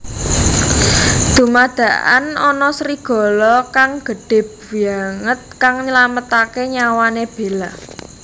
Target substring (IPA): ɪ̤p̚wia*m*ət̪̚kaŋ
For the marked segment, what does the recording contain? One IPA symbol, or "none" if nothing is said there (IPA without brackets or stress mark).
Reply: ŋ